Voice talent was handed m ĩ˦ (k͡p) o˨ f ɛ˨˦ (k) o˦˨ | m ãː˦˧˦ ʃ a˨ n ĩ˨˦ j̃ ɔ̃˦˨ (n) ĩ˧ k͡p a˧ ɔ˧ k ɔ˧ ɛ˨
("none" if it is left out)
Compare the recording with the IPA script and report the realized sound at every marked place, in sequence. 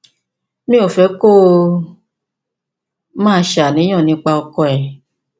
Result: none, k, n

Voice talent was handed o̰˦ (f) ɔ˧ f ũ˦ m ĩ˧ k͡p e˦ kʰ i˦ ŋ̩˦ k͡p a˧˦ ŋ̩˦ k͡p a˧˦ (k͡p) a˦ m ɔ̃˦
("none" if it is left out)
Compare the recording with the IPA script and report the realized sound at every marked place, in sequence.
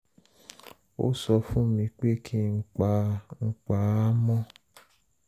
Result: s, none

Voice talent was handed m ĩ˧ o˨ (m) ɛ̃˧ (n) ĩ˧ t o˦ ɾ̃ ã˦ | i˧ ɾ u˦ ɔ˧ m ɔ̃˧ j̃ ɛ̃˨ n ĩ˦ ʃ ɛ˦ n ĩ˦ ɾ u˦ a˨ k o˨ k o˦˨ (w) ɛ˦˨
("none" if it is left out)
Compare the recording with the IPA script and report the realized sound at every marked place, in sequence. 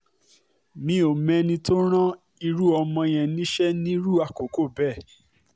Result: m, n, b

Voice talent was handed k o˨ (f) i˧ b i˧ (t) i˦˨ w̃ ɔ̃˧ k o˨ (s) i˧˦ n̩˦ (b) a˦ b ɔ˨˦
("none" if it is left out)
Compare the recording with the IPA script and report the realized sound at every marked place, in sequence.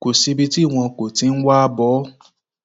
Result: s, t, t, w

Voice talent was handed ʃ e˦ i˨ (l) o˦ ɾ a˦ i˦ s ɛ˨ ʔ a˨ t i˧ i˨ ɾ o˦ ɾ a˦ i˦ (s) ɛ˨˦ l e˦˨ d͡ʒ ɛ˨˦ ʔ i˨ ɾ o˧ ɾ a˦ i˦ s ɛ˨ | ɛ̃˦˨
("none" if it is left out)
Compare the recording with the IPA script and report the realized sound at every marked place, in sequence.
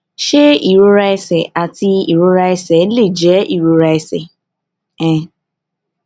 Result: ɾ, s

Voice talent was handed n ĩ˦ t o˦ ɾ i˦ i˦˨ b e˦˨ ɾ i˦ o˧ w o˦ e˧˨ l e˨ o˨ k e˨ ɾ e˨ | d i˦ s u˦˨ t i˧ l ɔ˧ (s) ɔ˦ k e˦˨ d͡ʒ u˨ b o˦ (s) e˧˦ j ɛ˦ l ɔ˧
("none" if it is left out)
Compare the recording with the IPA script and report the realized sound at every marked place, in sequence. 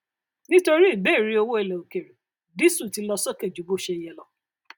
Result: s, ʃ

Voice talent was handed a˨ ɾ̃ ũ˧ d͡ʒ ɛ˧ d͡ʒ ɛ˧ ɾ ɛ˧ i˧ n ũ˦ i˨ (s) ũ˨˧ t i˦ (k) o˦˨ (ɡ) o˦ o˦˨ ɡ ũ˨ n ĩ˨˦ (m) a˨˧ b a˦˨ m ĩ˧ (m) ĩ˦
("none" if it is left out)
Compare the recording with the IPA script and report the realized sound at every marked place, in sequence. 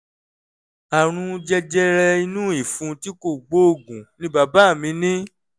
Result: f, k, ɡ͡b, b, n

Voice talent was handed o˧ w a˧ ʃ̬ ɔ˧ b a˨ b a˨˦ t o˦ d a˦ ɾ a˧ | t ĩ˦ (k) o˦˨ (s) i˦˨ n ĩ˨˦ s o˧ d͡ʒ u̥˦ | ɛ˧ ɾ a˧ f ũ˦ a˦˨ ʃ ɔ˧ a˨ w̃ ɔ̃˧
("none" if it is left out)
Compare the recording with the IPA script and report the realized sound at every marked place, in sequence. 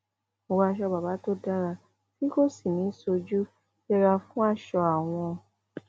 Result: k, s

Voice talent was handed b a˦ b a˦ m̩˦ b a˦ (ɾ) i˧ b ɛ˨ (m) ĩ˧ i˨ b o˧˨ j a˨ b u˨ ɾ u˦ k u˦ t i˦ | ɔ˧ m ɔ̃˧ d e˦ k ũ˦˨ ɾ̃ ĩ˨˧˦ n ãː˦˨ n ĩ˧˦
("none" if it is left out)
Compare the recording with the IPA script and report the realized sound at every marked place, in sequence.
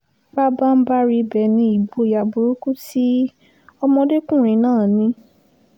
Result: ɾ, n

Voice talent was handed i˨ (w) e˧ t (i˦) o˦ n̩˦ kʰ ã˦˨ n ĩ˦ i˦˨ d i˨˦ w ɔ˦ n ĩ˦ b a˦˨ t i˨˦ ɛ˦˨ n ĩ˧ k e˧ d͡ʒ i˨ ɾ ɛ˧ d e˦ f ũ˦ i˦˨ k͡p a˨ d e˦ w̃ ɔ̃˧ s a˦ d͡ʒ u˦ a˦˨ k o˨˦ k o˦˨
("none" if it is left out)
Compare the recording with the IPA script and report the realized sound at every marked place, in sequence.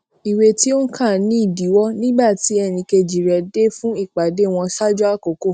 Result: w, i˦

